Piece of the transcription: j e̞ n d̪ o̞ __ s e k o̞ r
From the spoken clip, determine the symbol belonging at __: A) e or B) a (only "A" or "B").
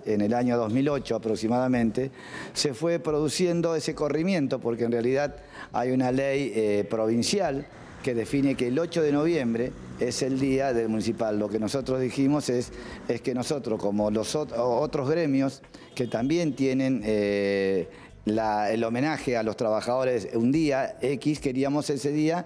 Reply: A